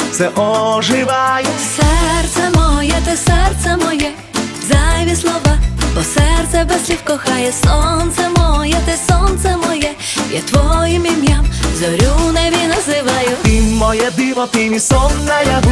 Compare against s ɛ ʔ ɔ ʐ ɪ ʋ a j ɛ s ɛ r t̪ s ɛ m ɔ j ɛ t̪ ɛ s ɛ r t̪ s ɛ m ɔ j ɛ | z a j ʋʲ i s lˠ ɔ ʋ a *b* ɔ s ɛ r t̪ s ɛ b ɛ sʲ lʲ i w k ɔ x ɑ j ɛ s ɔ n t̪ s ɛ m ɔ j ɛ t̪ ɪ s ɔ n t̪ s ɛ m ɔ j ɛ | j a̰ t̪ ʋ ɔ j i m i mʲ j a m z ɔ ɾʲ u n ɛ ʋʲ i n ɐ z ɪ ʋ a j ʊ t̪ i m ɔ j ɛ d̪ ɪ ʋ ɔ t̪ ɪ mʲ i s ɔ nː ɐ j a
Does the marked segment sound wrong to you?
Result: no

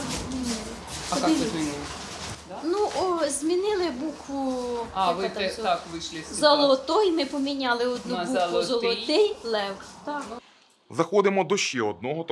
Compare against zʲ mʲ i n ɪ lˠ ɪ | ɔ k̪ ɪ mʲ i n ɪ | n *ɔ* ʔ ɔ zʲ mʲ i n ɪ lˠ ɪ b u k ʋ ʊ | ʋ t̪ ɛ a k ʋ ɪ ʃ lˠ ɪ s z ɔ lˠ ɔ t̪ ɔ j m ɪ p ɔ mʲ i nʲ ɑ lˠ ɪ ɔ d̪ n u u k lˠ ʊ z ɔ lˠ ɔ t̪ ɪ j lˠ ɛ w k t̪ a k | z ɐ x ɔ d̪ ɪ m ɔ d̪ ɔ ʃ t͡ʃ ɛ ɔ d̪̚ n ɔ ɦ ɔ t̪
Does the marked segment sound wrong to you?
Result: yes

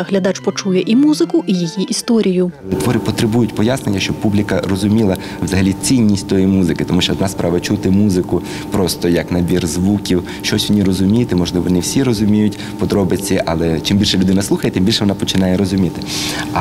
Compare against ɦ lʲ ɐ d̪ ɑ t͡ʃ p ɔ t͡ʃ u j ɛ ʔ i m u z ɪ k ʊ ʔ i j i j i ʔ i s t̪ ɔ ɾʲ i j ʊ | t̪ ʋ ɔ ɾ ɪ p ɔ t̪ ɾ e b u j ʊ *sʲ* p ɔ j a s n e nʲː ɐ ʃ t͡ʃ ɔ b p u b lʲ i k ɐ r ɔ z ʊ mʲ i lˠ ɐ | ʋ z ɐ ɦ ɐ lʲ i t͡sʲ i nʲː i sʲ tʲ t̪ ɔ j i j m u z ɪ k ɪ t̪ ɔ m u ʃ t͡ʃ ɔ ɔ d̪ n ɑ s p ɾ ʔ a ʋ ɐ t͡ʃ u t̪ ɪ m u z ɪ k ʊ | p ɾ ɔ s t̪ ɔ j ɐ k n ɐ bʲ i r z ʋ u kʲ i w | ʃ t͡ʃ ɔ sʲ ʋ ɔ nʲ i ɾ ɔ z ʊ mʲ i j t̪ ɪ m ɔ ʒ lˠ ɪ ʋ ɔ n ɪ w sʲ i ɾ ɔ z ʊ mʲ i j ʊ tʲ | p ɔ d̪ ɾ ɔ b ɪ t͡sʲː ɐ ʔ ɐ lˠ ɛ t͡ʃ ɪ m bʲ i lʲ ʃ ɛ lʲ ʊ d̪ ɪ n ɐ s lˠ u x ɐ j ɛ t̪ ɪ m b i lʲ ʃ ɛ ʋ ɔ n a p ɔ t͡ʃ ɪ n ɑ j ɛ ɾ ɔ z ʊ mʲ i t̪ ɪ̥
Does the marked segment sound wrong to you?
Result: yes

